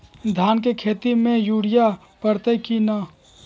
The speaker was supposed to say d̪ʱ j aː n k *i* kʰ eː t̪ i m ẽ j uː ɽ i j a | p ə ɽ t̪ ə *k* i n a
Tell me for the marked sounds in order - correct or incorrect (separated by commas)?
incorrect, correct